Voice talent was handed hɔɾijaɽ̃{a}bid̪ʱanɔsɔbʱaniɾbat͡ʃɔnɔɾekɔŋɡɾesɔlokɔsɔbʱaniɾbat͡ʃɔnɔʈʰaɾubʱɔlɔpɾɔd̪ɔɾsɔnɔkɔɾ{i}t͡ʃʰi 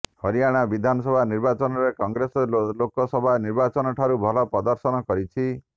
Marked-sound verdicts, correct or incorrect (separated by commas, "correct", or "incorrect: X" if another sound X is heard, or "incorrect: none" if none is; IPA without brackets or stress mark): correct, correct